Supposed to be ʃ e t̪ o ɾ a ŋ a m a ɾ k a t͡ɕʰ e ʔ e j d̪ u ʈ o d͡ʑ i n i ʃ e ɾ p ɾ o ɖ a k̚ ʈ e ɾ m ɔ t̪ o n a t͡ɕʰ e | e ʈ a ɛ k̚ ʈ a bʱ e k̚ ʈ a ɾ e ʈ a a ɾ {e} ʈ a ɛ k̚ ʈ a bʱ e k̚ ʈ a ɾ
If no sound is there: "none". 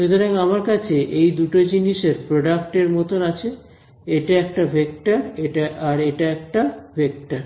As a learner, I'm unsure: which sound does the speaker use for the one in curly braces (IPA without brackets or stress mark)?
e